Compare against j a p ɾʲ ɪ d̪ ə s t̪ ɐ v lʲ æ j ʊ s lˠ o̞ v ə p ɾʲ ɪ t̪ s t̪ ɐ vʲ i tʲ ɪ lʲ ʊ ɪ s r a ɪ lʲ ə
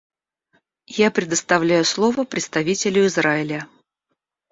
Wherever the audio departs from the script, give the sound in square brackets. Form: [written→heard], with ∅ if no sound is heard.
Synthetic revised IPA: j a p ɾʲ ɪ d̪ ə s t̪ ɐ v lʲ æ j ʊ s lˠ o̞ v ə p ɾʲ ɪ t̪ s t̪ ɐ vʲ i tʲ ɪ lʲ ʊ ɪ [s→z] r a ɪ lʲ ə

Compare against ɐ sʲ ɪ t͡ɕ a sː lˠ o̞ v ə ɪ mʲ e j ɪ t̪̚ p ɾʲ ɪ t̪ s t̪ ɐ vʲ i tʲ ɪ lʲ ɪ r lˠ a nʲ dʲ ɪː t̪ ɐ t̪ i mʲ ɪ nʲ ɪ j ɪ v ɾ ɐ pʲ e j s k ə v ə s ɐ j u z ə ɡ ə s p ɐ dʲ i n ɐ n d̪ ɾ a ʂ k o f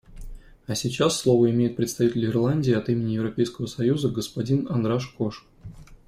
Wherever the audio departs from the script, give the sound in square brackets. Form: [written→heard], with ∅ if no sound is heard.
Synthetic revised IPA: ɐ sʲ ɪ t͡ɕ a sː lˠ o̞ v ə ɪ mʲ e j ɪ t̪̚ p ɾʲ ɪ t̪ s t̪ ɐ vʲ i tʲ ɪ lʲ ɪ r lˠ a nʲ dʲ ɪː [t̪→∅] ɐ t̪ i mʲ ɪ nʲ ɪ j ɪ v ɾ ɐ pʲ e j s k ə v ə s ɐ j u z ə ɡ ə s p ɐ dʲ i n ɐ n d̪ ɾ a ʂ k o [f→ʂ]

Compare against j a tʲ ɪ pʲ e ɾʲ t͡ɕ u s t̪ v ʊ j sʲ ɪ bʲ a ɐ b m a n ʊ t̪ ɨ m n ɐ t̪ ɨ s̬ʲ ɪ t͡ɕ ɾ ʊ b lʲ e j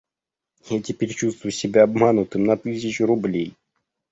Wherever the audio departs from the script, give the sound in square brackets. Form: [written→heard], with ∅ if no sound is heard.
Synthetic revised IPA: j a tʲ ɪ pʲ e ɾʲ t͡ɕ u s t̪ v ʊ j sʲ ɪ bʲ a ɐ b m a n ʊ t̪ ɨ m n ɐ t̪ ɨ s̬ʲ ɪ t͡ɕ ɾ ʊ b lʲ e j

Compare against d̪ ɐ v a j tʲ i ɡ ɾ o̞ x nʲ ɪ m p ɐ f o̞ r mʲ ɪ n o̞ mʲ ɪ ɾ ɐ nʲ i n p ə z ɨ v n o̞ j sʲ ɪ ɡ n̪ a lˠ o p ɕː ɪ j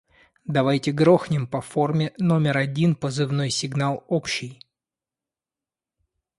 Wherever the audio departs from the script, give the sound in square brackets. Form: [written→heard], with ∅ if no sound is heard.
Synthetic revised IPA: d̪ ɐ v a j tʲ [i→ɪ] ɡ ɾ o̞ x nʲ ɪ m p ɐ f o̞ r mʲ ɪ n o̞ mʲ ɪ ɾ ɐ [nʲ→dʲ] i n p ə z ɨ v n o̞ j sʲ ɪ ɡ n̪ a lˠ o p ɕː ɪ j

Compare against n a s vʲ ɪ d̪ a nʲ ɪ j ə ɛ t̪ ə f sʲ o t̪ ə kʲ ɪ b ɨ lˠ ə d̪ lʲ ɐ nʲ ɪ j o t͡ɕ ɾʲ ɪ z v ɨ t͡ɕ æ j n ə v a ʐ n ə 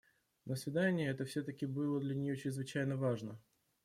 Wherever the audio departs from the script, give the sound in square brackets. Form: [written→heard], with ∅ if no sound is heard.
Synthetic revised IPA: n [a→ə] s vʲ ɪ d̪ a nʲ ɪ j ə ɛ t̪ ə f sʲ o t̪ ə kʲ ɪ b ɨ lˠ ə d̪ lʲ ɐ nʲ ɪ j o t͡ɕ ɾʲ ɪ z v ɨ t͡ɕ æ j n ə v a ʐ n ə

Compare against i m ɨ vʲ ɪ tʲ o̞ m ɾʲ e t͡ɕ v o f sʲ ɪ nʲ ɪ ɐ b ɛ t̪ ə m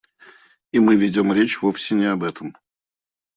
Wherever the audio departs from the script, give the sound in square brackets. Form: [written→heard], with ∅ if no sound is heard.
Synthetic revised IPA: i m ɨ vʲ ɪ [tʲ→dʲ] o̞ m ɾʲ e t͡ɕ v o f sʲ ɪ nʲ ɪ ɐ b ɛ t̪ ə m

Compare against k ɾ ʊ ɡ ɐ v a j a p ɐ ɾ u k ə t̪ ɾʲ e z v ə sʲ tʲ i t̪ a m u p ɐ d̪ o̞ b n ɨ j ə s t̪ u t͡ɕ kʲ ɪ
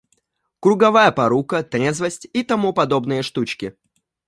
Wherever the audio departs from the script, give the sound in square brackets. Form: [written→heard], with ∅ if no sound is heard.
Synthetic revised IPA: k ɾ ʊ ɡ ɐ v a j [a→ə] p ɐ ɾ u k ə t̪ ɾʲ e z v ə sʲ tʲ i t̪ [a→ɐ] m u p ɐ d̪ o̞ b n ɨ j ə [s→ʂ] t̪ u t͡ɕ kʲ ɪ

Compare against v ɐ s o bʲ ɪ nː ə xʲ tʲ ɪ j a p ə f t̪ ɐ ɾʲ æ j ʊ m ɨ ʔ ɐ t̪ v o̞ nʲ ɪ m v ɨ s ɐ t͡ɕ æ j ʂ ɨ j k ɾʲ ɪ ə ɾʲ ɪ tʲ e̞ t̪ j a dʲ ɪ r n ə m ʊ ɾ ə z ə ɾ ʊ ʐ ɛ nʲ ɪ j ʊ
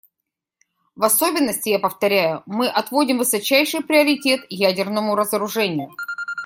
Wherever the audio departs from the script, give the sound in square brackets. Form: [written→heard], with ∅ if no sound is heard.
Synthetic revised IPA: v ɐ s o bʲ ɪ nː ə [xʲ→sʲ] tʲ ɪ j a p ə f t̪ ɐ ɾʲ æ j ʊ m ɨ ʔ ɐ t̪ v o̞ [nʲ→dʲ] ɪ m v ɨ s ɐ t͡ɕ æ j ʂ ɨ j [k→p] ɾʲ ɪ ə ɾʲ ɪ tʲ e̞ t̪ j [a→æ] dʲ ɪ r n ə m ʊ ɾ ə z ə ɾ ʊ ʐ ɛ nʲ ɪ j ʊ

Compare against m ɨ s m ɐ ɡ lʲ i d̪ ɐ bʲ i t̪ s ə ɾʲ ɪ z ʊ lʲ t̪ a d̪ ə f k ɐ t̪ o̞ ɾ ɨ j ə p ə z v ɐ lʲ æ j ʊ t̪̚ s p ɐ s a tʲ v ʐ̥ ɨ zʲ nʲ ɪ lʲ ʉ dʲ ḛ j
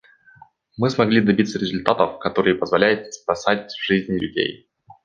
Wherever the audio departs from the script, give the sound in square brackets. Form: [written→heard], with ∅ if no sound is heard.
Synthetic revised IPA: m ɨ s m ɐ ɡ lʲ i d̪ ɐ bʲ i t̪ s ə ɾʲ ɪ z ʊ lʲ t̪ a [d̪→t̪] ə f k ɐ t̪ o̞ ɾ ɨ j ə p ə z v ɐ lʲ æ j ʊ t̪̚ s p ɐ s a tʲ v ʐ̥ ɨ zʲ nʲ ɪ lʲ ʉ dʲ ḛ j

